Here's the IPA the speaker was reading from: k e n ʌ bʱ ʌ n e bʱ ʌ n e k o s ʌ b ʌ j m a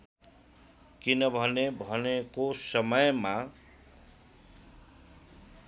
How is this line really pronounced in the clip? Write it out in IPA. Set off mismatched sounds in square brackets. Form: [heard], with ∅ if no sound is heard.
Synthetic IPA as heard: k [i] n ʌ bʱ ʌ n e bʱ ʌ n e k o s ʌ [m] ʌ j m a